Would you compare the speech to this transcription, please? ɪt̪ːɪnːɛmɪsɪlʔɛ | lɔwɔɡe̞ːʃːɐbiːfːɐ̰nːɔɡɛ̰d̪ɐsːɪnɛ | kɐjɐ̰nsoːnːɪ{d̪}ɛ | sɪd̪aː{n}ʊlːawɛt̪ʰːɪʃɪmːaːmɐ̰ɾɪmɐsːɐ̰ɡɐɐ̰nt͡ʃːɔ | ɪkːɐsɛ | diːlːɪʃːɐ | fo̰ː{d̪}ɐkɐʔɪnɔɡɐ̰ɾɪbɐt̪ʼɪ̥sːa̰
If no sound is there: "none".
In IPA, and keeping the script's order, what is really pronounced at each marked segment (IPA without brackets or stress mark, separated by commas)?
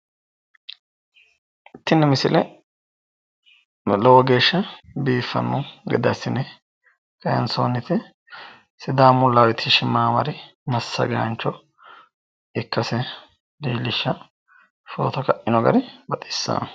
t̪, m, t̪